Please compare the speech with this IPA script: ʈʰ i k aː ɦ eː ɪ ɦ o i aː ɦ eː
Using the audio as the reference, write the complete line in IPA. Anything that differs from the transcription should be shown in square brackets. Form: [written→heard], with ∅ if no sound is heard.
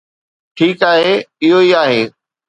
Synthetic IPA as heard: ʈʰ [i→iː] k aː ɦ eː ɪ ɦ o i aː ɦ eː